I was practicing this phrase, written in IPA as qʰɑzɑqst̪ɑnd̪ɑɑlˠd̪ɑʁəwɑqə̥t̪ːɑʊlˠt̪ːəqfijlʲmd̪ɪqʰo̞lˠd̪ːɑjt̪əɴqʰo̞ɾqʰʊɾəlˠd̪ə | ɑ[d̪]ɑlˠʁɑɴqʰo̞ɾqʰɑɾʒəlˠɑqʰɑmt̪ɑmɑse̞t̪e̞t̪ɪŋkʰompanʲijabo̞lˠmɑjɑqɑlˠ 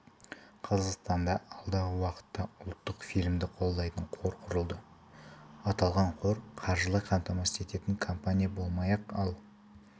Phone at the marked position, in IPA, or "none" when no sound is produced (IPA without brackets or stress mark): t̪